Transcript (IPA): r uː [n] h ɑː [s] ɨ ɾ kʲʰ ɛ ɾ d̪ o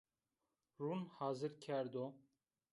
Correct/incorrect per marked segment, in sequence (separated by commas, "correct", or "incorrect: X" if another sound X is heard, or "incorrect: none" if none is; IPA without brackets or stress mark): correct, incorrect: z